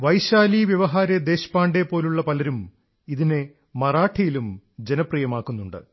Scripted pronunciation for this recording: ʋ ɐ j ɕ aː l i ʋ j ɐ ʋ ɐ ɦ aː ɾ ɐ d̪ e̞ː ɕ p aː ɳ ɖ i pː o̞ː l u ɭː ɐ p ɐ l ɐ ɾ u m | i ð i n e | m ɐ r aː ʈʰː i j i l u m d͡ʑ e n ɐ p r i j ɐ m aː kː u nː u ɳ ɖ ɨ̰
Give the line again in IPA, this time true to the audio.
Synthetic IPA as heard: ʋ ɐ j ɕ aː l i ʋ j ɐ ʋ ɐ ɦ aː ɾ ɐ d̪ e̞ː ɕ p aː ɳ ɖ e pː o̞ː l u ɭː ɐ p ɐ l ɐ ɾ u m | i ð i n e | m ɐ r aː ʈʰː i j i l u m d͡ʑ e n ɐ p r i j ɐ m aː kː u nː u ɳ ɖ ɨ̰